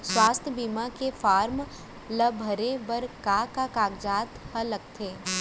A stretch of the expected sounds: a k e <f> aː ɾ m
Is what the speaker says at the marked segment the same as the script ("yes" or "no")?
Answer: yes